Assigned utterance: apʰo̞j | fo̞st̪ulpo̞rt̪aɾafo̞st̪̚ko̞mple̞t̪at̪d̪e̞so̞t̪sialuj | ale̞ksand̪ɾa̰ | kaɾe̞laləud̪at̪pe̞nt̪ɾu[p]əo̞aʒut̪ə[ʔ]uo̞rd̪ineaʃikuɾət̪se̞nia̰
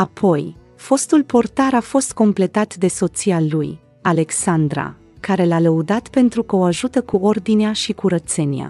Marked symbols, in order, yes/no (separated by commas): no, no